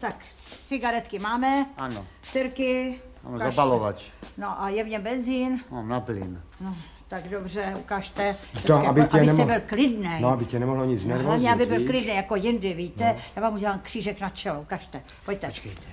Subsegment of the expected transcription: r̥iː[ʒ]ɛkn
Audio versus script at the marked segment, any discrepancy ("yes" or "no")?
no